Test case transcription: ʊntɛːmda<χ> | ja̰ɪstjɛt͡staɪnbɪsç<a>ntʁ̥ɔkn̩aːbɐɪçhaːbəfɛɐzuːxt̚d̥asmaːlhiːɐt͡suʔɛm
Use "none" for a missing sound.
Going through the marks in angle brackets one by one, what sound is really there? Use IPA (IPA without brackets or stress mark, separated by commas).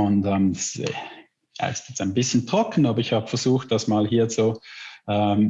s, ə